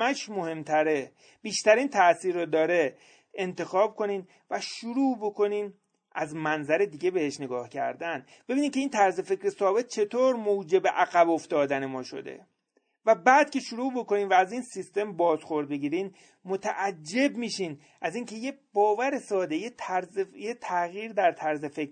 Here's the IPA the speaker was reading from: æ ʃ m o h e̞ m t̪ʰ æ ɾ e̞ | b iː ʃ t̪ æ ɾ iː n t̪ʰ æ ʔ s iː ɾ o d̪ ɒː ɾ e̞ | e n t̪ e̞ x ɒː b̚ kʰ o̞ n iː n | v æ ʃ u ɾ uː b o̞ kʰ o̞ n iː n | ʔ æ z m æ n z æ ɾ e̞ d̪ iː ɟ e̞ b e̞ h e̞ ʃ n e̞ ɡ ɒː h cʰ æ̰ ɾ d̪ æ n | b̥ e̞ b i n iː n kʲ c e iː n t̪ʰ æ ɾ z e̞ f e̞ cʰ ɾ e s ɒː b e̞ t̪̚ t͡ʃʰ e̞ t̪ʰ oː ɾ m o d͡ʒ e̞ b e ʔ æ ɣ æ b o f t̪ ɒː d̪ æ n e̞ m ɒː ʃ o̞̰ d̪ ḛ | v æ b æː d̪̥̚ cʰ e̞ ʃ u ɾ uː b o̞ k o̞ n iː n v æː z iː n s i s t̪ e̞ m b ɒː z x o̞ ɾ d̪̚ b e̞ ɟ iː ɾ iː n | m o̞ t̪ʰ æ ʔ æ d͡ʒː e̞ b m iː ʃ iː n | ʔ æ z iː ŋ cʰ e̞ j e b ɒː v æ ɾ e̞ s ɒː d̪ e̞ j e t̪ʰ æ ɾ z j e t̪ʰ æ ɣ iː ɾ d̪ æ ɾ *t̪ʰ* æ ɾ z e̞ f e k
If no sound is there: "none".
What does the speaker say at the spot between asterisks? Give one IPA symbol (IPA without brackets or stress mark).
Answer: t̪ʰ